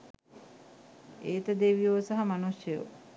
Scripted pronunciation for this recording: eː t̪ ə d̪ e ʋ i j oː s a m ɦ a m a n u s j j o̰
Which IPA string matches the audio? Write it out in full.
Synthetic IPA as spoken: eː t̪ ə d̪ e ʋ i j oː s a ɦ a m a n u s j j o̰